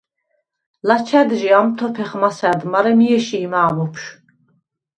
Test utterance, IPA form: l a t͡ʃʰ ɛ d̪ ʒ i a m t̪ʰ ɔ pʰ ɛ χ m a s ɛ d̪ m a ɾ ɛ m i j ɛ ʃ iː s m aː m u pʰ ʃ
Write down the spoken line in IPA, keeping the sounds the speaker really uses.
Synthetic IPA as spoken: l a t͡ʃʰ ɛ d̪ ʒ i a m t̪ʰ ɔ pʰ ɛ χ m a s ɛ d̪ m a ɾ ɛ m i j ɛ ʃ iː m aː m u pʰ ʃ